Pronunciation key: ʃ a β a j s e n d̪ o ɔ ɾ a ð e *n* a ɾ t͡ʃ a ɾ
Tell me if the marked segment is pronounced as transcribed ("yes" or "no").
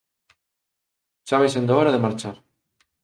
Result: no